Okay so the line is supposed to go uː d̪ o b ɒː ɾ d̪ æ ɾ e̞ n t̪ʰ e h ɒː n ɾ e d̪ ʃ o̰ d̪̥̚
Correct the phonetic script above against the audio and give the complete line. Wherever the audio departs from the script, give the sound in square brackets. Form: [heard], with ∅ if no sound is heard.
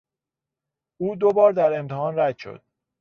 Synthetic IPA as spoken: uː d̪ o b ɒː ɾ d̪ æ ɾ e̞ [m] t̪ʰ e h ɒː n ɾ [æ] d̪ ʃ o̰ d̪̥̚